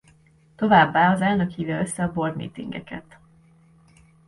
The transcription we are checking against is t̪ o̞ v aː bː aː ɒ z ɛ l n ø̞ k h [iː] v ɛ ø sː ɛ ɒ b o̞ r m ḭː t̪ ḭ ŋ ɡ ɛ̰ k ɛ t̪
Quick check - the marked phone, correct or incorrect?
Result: correct